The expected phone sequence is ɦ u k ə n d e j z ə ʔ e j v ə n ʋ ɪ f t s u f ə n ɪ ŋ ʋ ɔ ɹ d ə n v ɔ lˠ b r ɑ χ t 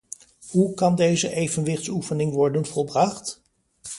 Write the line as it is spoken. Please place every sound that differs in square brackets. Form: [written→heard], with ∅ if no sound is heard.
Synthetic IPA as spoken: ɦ u k [ə→ɑ] n d e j z ə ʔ e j v ə n ʋ ɪ [f→χ] t s u f ə n ɪ ŋ ʋ ɔ ɹ d ə n v ɔ lˠ b r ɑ χ t